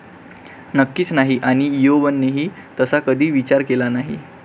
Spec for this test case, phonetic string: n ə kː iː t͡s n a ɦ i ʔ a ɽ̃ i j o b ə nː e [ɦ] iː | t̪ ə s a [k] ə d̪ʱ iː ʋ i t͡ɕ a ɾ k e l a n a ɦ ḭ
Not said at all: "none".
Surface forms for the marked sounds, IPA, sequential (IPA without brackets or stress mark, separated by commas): ɦ, k